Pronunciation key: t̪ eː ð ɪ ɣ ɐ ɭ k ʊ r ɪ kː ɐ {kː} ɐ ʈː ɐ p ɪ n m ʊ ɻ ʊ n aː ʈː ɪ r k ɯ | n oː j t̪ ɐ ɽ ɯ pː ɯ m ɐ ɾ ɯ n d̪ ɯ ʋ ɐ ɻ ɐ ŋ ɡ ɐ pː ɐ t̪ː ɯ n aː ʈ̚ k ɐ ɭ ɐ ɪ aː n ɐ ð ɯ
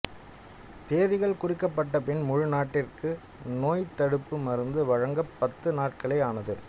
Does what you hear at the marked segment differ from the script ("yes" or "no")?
yes